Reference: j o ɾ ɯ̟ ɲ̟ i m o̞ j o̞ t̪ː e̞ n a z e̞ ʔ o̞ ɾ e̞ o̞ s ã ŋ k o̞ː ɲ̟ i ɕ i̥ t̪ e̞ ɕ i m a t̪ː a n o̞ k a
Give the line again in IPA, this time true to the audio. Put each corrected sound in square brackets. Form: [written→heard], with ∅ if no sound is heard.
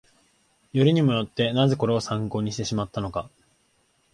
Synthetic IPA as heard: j o ɾ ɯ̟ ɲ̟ i m o̞ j o̞ t̪ː e̞ n a z e̞ [ʔ→k] o̞ ɾ e̞ o̞ s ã ŋ k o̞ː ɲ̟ i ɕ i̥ t̪ e̞ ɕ i m a t̪ː a n o̞ k a